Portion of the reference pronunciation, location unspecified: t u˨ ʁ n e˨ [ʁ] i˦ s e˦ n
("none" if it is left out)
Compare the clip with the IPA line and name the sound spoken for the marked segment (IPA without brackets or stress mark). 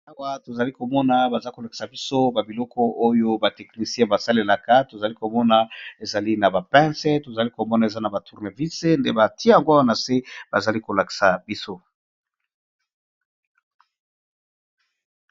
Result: v